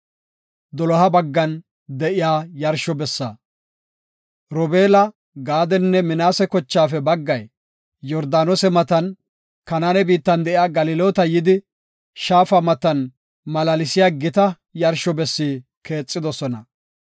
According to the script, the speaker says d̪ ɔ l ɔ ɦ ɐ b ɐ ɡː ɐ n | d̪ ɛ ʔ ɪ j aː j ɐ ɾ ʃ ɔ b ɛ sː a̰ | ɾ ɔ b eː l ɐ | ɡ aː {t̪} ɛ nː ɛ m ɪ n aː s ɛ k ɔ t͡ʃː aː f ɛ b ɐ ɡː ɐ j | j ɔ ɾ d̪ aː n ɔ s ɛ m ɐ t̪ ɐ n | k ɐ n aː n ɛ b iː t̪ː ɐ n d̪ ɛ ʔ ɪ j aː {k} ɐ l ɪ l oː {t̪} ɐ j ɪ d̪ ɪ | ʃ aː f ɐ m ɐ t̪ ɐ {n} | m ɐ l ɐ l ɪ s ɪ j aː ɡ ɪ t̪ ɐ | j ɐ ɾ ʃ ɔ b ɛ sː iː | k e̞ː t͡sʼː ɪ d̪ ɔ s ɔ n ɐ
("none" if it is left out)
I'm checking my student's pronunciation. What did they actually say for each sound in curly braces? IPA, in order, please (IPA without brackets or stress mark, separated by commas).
d̪, ɡ, t̪, n